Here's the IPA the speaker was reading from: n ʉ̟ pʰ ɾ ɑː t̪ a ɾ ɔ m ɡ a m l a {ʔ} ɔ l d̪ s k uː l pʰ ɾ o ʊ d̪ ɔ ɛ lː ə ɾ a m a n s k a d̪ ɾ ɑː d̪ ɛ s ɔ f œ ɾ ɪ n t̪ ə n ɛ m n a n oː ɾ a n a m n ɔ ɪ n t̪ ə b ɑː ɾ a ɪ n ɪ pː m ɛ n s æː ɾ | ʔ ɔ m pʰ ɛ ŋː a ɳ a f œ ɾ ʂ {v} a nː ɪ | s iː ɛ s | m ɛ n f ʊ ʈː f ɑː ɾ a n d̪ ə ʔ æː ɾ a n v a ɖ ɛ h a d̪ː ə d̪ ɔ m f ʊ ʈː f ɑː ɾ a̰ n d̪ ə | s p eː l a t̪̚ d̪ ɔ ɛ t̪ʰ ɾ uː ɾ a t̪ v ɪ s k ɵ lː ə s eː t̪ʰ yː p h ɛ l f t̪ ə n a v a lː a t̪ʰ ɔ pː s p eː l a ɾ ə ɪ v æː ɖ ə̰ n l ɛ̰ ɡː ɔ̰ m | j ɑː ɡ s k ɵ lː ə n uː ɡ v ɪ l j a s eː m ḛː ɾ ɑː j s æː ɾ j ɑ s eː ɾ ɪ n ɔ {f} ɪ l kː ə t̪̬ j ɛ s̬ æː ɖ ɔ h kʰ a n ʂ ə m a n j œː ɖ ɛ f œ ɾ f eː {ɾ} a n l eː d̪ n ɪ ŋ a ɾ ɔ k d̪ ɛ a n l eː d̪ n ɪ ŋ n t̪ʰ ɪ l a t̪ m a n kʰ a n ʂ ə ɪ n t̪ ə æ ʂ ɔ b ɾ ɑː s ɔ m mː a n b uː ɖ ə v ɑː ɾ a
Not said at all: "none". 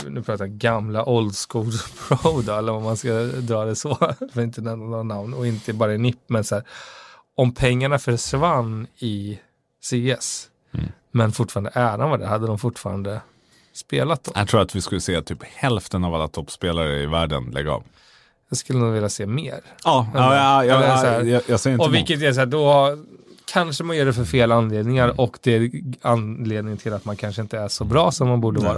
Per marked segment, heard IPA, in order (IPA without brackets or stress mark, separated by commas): ʔ, v, v, l